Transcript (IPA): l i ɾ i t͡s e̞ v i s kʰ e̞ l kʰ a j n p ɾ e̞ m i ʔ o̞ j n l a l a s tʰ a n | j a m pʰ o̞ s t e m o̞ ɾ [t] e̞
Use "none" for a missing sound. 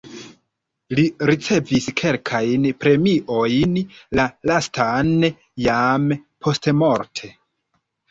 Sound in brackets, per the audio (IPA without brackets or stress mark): tʰ